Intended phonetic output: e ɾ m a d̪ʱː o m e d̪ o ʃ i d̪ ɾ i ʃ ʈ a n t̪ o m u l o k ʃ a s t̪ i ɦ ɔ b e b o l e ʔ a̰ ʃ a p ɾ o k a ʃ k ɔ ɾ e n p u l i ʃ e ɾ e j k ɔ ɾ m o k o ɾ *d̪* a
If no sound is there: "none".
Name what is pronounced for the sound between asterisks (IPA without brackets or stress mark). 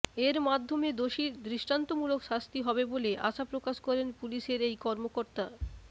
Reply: t̪